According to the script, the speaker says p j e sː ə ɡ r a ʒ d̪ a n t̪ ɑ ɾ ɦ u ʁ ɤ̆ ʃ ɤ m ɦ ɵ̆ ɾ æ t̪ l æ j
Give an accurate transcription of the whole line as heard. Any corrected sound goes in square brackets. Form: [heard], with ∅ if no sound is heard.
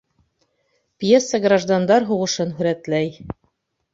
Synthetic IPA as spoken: p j e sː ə ɡ r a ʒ d̪ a n [d̪] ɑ ɾ ɦ u ʁ ɤ̆ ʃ ɤ [n] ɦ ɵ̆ ɾ æ t̪ l æ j